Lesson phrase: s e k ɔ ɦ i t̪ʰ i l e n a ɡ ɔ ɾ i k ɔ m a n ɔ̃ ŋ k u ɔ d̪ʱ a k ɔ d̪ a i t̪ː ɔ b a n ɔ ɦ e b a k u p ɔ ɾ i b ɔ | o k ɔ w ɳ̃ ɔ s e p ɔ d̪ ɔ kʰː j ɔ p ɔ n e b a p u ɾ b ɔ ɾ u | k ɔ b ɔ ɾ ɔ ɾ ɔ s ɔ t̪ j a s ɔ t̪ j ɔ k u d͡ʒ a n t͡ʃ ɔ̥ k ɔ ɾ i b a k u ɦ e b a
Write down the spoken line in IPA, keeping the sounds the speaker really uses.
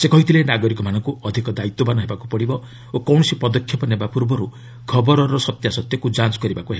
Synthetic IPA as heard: s e k ɔ ɦ i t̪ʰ i l e n a ɡ ɔ ɾ i k ɔ m a n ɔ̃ ŋ k u ɔ d̪ʱ i k ɔ d̪ a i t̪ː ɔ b a n ɔ ɦ e b a k u p ɔ ɽ i b ɔ | o k ɔ w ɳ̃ ɔ s i p ɔ d̪ ɔ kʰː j ɔ p ɔ n e b a p u ɾ b ɔ ɾ u | kʰ ɔ b ɔ ɾ ɔ ɾ ɔ s ɔ t̪ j a s ɔ t̪ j ɔ k u d͡ʒ a n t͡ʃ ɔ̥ k ɔ ɾ i b a k u ɦ e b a